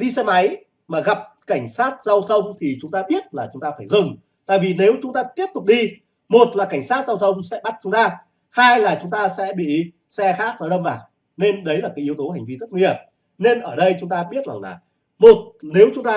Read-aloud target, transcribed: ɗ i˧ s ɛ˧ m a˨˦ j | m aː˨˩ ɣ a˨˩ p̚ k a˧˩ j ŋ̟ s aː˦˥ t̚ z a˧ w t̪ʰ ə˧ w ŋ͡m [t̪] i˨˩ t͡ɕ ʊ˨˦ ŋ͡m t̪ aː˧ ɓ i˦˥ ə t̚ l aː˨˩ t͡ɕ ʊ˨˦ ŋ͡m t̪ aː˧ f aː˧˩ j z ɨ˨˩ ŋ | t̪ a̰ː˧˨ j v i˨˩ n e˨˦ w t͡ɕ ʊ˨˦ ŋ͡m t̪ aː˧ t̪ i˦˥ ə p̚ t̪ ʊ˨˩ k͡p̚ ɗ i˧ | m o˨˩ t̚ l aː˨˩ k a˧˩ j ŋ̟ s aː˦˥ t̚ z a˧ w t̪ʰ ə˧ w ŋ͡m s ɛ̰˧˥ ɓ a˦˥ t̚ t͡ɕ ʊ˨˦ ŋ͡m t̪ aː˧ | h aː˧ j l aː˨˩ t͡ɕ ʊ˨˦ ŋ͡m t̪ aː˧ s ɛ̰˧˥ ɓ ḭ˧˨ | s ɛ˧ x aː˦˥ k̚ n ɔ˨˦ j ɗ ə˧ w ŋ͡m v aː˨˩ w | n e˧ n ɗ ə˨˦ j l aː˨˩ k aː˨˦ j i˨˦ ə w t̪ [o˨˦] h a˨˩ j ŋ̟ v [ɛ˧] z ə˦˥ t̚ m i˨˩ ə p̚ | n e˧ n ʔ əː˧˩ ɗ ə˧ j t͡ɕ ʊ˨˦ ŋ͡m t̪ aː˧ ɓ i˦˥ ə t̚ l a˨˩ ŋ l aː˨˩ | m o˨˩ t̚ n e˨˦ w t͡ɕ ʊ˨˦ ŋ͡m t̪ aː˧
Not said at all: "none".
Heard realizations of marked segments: t̪ʰ, o˨˦, i˧

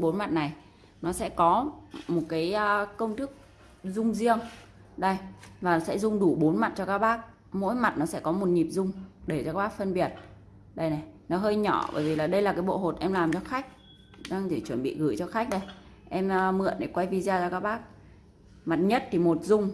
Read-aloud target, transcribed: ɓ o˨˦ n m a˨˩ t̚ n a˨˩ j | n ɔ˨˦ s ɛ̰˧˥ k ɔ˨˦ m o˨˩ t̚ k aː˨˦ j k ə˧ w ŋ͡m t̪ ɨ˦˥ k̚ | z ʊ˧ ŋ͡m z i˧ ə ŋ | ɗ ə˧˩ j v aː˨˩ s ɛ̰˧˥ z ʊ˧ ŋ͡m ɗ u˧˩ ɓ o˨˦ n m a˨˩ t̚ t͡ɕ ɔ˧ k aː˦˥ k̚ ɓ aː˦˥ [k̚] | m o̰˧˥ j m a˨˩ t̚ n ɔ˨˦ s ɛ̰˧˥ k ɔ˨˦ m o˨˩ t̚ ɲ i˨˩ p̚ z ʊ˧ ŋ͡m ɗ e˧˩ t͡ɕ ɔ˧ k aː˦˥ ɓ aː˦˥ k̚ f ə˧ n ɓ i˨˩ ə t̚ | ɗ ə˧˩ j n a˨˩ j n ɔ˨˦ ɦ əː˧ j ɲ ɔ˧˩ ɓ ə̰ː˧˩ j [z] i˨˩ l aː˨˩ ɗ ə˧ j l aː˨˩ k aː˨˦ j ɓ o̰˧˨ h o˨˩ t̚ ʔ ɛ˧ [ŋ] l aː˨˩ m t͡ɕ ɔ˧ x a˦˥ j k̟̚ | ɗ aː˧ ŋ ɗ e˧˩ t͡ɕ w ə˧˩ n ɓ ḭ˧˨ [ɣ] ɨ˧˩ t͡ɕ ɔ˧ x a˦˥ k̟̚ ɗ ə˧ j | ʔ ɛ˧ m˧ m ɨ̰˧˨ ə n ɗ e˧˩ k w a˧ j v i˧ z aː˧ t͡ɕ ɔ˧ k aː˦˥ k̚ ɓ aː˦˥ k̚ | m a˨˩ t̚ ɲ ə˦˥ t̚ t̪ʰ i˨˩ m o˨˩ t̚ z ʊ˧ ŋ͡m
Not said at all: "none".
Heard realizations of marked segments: k̚, v, m, ɣ

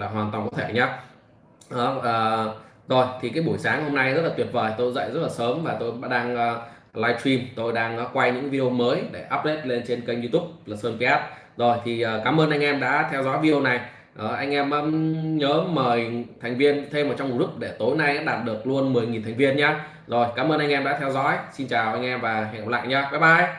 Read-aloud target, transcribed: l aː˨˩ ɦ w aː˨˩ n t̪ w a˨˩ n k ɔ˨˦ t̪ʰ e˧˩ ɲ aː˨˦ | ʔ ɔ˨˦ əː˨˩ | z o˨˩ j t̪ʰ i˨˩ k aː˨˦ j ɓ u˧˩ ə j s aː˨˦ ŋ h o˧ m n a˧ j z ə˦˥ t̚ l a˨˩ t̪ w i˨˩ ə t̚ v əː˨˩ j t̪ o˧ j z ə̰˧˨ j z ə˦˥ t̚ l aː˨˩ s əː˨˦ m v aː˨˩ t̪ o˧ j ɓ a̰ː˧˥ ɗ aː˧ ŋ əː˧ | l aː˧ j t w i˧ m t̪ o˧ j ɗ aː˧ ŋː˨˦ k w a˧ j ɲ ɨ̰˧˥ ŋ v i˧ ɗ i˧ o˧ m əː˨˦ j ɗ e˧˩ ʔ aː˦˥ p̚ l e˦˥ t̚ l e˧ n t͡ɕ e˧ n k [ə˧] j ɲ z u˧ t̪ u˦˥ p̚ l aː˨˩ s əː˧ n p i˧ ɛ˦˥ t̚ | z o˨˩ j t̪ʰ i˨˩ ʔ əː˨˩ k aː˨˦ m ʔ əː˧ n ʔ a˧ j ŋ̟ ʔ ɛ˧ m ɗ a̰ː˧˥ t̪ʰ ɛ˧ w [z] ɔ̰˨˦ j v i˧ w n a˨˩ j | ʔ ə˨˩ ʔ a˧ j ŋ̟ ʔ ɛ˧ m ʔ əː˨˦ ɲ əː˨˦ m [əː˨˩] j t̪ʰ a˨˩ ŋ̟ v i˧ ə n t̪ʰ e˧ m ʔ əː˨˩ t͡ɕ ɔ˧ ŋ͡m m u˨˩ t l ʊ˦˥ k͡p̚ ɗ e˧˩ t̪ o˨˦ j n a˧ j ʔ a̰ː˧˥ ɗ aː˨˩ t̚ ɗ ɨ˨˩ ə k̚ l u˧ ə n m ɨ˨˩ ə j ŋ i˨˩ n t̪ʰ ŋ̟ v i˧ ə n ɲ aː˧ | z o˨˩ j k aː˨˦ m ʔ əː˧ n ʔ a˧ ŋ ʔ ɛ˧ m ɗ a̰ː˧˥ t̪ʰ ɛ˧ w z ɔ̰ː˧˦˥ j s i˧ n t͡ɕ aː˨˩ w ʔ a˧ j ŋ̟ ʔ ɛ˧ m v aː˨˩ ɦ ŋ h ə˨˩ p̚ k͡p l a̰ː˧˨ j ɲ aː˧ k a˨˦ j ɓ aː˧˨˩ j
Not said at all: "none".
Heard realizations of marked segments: ə˧, z, əː˨˩

